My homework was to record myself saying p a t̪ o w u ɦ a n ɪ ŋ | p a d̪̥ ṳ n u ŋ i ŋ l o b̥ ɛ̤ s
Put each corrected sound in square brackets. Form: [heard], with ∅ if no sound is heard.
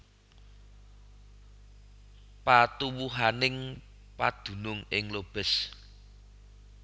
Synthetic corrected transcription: p a t̪ [u] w u ɦ a n ɪ ŋ | p a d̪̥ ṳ n [ʊ] ŋ [ɪ] ŋ l o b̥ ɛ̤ s